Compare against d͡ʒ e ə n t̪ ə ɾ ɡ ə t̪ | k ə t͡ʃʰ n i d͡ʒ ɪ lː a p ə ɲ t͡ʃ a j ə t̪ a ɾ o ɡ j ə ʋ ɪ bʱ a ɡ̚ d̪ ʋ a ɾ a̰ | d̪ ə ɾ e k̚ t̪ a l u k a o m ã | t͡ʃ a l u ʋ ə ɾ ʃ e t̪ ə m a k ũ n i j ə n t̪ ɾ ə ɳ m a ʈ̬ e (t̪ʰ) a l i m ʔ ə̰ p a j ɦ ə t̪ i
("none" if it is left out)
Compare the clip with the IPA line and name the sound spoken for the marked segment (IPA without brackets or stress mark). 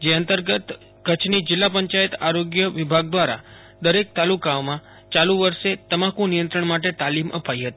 t̪